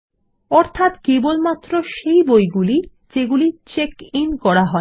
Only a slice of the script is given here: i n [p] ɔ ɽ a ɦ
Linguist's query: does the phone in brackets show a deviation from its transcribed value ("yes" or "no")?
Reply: yes